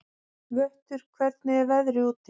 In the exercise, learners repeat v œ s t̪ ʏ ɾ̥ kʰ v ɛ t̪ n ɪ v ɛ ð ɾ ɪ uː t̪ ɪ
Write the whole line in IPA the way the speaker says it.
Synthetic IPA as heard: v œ h t̪ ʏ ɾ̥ kʰ v ɛ t̪ n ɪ v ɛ ð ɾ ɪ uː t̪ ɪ